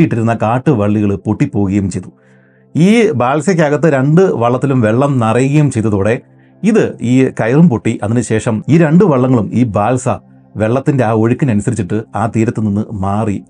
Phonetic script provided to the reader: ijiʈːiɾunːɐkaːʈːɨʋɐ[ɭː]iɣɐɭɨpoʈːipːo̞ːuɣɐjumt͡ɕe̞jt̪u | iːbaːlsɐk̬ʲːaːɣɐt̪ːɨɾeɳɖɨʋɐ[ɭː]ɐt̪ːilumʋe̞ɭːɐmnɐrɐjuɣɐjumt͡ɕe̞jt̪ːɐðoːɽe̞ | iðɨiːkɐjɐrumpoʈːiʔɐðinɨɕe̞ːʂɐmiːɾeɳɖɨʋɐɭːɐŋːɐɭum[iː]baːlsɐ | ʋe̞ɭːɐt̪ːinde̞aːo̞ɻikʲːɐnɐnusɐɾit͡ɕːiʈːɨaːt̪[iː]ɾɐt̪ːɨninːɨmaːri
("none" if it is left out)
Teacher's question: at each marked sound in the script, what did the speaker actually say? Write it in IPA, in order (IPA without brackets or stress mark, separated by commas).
ɭː, ɭː, iː, iː